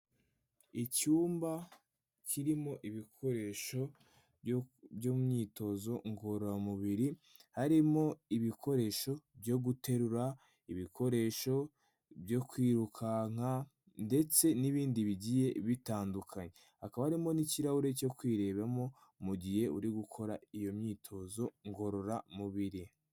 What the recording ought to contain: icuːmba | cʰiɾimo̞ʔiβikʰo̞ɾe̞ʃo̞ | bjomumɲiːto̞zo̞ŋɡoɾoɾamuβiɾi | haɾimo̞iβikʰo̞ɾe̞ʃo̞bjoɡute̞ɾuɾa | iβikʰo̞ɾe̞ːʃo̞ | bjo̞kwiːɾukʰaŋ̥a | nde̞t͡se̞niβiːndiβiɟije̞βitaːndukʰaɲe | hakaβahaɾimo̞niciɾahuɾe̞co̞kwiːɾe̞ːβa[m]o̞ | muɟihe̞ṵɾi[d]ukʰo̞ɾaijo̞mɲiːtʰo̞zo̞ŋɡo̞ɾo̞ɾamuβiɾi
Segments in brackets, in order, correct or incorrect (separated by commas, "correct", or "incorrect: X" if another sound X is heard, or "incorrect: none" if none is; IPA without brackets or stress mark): correct, incorrect: ɡ